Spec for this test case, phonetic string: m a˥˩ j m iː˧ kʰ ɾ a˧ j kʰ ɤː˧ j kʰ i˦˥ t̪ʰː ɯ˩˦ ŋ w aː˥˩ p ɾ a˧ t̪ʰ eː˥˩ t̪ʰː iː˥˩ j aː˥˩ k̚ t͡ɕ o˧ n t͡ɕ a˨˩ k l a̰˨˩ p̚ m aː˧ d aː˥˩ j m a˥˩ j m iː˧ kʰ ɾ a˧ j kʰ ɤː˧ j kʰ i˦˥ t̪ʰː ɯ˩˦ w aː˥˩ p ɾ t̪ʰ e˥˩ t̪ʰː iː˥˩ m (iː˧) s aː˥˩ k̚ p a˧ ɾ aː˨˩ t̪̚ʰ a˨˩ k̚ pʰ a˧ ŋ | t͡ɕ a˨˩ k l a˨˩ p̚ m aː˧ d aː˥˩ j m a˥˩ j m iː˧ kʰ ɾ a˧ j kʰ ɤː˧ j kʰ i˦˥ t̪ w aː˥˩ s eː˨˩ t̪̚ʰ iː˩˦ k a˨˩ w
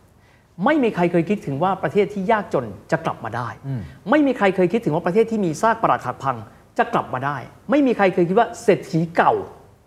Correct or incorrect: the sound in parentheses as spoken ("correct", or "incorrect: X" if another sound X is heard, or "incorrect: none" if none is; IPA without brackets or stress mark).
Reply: correct